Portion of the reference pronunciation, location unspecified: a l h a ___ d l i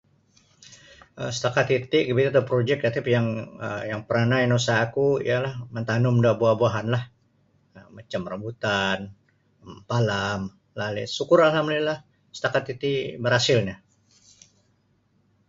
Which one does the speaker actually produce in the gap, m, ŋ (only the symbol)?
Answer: m